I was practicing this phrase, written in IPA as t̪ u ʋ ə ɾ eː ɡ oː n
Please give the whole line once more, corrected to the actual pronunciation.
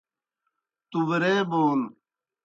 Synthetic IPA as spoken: t̪ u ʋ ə ɾ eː b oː n

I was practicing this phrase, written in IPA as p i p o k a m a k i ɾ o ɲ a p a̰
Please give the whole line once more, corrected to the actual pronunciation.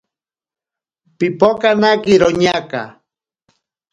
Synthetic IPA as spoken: p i p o k a n a k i ɾ o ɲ a k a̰

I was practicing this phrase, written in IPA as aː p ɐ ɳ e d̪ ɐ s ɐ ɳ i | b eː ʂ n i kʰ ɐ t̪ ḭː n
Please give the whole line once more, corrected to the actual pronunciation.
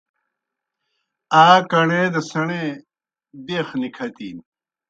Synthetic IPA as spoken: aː k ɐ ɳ e d̪ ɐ s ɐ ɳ e | b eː x n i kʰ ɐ t̪ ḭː n

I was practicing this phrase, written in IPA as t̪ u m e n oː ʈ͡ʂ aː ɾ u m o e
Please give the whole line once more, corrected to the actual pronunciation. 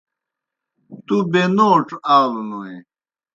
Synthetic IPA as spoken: t̪ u b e n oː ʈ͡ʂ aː l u n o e

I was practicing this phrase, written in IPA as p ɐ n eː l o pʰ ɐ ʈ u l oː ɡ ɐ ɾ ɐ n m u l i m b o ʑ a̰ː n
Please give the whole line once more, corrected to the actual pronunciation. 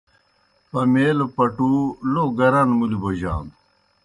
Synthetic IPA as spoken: p ɐ m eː l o p ɐ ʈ u l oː ɡ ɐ ɾ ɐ n m u l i b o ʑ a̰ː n

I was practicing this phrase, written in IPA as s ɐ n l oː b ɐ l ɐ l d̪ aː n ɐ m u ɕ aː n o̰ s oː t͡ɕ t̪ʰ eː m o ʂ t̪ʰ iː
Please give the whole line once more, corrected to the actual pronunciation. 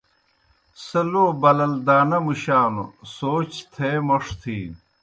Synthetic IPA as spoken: s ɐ l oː b ɐ l ɐ l d̪ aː n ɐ m u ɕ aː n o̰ s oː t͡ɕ t̪ʰ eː m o ʂ t̪ʰ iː

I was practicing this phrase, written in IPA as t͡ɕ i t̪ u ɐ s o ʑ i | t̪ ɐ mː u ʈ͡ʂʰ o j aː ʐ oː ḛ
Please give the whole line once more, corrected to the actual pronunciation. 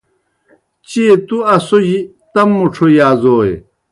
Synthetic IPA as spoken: t͡ɕ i t̪ u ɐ s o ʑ i | t̪ ɐ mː u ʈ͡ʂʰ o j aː z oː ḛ

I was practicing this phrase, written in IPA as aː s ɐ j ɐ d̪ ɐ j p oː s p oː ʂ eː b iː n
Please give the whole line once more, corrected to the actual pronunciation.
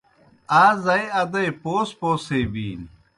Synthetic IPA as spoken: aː z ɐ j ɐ d̪ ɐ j p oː s p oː s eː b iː n

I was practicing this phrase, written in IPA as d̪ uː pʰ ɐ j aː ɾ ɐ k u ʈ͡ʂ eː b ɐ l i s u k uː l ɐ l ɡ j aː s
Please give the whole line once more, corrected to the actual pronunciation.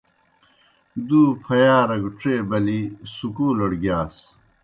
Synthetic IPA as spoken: d̪ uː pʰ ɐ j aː ɾ ɐ ɡ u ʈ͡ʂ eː b ɐ l i s u k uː l ɐ ɽ ɡ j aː s

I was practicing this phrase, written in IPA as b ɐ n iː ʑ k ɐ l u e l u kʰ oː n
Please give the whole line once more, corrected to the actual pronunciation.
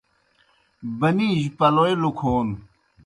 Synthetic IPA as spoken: b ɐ n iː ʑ p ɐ l o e l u kʰ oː n

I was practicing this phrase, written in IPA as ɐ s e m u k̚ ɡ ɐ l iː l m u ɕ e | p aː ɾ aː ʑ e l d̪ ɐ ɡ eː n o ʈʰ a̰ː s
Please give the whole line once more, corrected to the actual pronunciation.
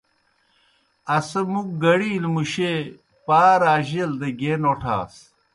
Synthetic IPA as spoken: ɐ s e m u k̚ ɡ ɐ ɽ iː l m u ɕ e | p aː ɾ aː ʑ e l d̪ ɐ ɡ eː n o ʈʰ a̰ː s

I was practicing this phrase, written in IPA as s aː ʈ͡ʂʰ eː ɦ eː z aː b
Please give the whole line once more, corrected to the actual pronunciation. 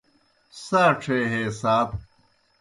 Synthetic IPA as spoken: s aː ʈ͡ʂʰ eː ɦ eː s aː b

